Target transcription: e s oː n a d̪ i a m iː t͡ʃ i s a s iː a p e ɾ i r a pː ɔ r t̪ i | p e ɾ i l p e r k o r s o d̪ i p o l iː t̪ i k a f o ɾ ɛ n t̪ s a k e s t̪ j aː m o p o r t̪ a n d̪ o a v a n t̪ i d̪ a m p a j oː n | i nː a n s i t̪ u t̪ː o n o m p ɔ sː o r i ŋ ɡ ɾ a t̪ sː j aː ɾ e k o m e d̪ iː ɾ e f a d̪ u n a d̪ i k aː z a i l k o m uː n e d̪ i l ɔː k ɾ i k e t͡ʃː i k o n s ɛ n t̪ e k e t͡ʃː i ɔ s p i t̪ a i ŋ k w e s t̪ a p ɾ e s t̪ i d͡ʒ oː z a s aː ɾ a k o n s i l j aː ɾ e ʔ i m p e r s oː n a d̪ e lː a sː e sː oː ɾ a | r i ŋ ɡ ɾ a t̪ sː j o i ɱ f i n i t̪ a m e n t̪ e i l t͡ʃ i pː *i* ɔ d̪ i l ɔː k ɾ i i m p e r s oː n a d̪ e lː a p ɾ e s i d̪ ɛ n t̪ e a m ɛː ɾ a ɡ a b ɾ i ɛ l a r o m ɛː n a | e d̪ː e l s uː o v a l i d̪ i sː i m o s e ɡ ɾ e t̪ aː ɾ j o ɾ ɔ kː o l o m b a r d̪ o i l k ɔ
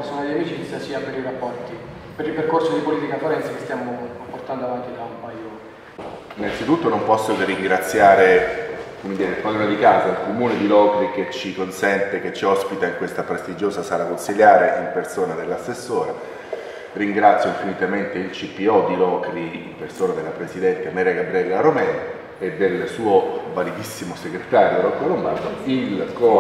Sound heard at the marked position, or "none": i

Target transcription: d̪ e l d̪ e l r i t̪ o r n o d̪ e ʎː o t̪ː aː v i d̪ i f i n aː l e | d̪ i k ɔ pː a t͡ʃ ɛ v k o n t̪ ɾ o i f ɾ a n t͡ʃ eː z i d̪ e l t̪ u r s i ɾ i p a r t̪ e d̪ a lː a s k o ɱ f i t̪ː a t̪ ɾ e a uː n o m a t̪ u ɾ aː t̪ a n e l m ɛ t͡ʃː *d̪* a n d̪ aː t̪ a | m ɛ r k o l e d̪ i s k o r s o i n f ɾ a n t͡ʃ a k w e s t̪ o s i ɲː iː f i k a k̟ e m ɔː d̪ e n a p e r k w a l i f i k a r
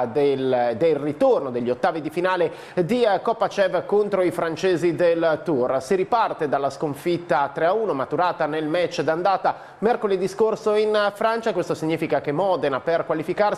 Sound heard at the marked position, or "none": d̪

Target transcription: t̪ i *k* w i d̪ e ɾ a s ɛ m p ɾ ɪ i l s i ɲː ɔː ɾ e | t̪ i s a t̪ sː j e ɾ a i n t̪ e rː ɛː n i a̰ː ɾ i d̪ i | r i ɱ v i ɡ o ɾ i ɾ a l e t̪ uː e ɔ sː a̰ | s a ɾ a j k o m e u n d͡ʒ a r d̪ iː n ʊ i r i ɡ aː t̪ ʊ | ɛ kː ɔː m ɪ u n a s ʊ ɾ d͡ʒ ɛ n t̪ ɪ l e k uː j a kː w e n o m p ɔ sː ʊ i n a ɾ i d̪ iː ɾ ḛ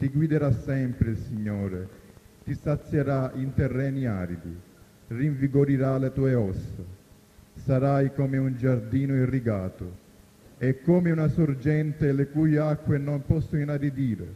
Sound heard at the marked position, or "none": ɡ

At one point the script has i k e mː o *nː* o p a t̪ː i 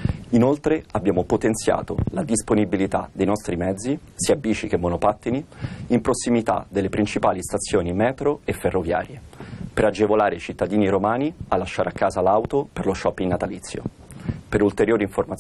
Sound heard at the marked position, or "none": n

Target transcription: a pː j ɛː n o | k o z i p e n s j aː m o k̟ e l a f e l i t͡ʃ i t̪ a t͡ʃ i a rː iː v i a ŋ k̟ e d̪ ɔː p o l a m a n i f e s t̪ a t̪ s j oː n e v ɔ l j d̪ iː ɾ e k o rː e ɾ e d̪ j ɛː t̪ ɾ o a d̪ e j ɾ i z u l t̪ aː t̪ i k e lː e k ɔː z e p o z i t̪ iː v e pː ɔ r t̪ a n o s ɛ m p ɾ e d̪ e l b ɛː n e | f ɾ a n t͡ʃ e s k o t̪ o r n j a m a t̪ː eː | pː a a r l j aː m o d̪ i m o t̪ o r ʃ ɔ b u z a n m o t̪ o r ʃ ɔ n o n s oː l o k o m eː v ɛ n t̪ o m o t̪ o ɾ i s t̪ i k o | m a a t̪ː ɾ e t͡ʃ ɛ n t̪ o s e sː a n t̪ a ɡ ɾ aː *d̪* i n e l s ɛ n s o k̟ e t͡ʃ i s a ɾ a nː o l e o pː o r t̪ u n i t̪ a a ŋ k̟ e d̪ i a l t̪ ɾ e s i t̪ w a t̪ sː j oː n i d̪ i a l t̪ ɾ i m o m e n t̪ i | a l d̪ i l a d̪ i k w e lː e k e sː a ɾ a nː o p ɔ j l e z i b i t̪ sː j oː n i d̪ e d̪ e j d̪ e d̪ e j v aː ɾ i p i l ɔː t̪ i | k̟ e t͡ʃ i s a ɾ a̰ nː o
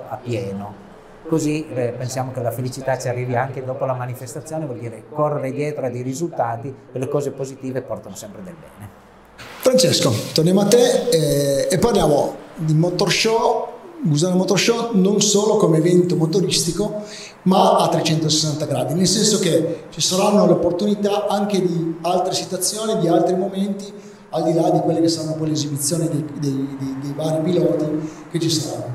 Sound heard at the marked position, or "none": d̪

